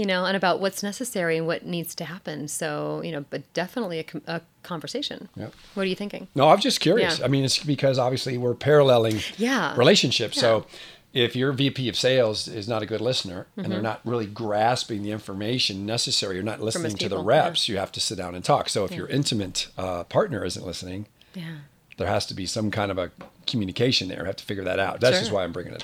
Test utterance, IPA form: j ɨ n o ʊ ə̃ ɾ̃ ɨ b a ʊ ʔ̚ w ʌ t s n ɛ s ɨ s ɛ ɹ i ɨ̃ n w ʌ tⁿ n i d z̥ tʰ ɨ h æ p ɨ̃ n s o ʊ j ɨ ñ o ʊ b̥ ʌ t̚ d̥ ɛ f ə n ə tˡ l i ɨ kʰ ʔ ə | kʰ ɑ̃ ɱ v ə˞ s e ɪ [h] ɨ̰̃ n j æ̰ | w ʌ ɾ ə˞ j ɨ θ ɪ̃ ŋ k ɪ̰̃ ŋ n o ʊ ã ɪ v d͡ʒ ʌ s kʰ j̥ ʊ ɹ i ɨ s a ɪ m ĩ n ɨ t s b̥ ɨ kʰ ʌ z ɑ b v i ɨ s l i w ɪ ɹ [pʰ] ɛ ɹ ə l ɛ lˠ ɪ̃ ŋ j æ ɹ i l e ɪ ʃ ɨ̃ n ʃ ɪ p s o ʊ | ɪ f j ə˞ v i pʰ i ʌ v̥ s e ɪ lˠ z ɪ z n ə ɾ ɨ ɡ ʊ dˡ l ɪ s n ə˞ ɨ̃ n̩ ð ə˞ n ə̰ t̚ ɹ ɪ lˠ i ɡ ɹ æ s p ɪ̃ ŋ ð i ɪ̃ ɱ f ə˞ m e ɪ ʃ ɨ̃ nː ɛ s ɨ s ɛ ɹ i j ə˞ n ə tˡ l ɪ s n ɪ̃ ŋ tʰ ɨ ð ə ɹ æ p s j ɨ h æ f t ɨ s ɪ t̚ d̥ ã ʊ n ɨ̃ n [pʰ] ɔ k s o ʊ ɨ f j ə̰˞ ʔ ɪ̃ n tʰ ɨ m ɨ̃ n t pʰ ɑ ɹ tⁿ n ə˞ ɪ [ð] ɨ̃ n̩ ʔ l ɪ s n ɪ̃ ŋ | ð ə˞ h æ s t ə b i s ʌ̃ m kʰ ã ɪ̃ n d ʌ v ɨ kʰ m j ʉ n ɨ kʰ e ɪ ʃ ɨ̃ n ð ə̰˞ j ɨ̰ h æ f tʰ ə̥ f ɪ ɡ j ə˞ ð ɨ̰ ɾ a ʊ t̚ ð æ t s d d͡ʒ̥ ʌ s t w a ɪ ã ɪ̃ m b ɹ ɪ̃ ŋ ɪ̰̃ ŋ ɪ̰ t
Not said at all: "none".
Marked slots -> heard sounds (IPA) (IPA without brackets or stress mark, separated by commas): ʃ, pʰ, tʰ, z